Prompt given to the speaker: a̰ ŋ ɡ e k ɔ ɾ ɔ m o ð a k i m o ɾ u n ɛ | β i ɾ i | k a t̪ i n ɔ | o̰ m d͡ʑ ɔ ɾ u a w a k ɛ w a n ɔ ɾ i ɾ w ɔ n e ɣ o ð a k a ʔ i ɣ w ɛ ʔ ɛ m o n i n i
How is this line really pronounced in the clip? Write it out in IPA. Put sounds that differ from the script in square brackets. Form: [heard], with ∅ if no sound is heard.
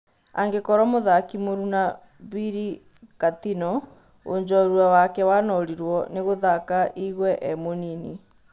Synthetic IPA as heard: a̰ ŋ ɡ e k ɔ ɾ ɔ m o ð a k i m o ɾ u n [a] | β i ɾ i | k a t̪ i n ɔ | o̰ [ɲ] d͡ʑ ɔ ɾ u a w a k ɛ w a n ɔ ɾ i ɾ w ɔ n e ɣ o ð a k a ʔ i ɣ w ɛ ʔ ɛ m o n i n i